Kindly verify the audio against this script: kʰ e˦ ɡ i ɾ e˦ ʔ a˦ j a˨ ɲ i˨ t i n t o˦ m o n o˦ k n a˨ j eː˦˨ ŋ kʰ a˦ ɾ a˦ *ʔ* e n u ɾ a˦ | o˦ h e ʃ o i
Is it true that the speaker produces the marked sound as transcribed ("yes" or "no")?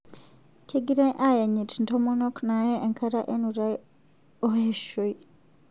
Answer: yes